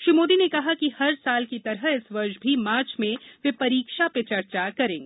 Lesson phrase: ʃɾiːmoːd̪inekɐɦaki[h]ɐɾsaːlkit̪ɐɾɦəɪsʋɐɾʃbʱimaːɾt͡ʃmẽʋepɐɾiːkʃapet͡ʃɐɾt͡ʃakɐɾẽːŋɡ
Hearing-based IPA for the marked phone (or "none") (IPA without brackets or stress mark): h